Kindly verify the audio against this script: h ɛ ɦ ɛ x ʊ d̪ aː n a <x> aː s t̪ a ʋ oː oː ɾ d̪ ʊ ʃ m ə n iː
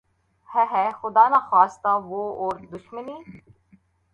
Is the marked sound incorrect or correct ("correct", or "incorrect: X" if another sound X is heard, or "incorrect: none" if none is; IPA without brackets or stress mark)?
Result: correct